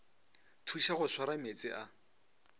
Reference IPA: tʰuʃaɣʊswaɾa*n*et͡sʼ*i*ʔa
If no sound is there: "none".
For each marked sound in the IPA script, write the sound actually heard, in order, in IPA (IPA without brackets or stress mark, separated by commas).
m, ɪ